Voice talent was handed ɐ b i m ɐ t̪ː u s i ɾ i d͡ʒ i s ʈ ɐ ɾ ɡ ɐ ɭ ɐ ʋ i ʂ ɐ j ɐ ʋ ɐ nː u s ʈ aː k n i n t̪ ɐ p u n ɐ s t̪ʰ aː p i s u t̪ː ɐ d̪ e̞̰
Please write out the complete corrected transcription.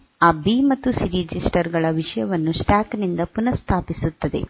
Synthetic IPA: ɐ b i m ɐ t̪ː u s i ɾ i d͡ʒ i s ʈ ɐ ɾ ɡ ɐ ɭ ɐ ʋ i ʂ ɐ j ɐ ʋ ɐ nː u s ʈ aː k n i n d̪ ɐ p u n ɐ s t̪ʰ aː p i s u t̪ː ɐ d̪ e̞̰

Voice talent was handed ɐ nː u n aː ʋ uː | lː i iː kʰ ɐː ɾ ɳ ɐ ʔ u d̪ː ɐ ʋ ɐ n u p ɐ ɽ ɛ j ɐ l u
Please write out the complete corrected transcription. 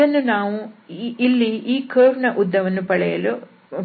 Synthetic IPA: ɐ nː u n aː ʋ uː | lː i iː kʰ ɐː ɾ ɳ ɐ ʔ u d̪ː ɐ ʋ ɐ nː u p ɐ ɭ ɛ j ɐ l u

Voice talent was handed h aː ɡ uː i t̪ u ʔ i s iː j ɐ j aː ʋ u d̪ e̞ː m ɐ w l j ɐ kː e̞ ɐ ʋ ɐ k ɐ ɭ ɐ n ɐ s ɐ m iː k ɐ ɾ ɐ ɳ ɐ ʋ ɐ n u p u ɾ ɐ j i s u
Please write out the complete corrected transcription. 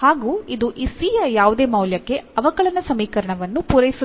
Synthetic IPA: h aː ɡ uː i d̪ u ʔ i s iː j ɐ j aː ʋ u d̪ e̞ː m ɐ w l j ɐ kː e̞ ɐ ʋ ɐ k ɐ ɭ ɐ n ɐ s ɐ m iː k ɐ ɾ ɐ ɳ ɐ ʋ ɐ nː u p u ɾ ɐ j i s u

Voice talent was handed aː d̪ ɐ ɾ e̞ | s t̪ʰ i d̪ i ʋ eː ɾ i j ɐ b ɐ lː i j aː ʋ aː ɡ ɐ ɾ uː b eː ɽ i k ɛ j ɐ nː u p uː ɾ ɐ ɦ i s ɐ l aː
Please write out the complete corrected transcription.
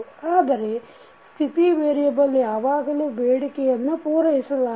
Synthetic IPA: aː d̪ ɐ ɾ e̞ | s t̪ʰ i t̪ i ʋ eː ɾ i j ɐ b ɐ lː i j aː ʋ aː ɡ ɐ l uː b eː ɽ i k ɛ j ɐ nː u p uː ɾ ɐ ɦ i s ɐ l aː

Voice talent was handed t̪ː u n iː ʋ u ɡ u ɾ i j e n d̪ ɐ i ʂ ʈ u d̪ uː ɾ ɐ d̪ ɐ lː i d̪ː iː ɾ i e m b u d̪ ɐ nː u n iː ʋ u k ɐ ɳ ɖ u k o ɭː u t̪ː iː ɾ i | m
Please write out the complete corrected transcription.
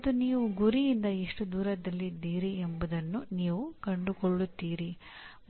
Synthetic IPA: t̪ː u n iː ʋ u ɡ u ɾ i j i n d̪ ɐ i ʂ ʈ u d̪ uː ɾ ɐ d̪ ɐ lː i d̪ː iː ɾ i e m b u d̪ ɐ nː u n iː ʋ u k ɐ ɳ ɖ u k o ɭː u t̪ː iː ɾ i | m

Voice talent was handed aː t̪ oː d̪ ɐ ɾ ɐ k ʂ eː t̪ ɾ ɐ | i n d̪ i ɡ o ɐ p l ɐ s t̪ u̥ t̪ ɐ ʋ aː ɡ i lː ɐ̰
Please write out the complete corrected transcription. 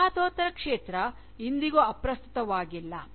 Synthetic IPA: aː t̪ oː t̪ ɐ ɾ ɐ k ʂ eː t̪ ɾ ɐ | i n d̪ i ɡ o ɐ p ɾ ɐ s t̪ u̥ t̪ ɐ ʋ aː ɡ i lː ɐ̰

